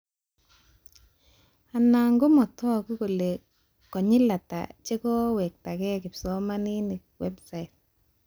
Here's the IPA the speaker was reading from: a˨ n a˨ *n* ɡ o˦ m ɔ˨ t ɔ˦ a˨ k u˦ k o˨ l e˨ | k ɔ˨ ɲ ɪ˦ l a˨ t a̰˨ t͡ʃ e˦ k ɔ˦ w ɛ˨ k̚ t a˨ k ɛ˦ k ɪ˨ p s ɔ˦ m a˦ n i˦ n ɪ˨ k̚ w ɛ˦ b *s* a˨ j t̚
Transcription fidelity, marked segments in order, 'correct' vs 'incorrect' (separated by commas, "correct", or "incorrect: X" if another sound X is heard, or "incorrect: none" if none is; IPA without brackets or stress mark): incorrect: ŋ, correct